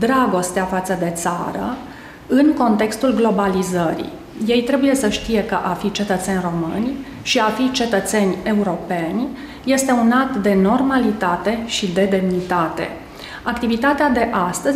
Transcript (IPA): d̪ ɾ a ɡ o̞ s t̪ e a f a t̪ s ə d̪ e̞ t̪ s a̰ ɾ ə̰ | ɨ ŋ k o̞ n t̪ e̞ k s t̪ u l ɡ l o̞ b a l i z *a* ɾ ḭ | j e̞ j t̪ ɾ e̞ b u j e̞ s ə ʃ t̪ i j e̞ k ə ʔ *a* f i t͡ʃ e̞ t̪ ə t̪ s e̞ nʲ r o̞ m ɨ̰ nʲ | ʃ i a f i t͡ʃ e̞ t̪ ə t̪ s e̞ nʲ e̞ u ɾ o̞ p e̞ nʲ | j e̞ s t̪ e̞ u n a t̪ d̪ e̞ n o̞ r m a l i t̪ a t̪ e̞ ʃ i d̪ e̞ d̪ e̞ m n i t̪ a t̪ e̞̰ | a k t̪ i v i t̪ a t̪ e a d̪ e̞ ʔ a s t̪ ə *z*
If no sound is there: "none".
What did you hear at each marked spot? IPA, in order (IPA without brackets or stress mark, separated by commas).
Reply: ə, a, z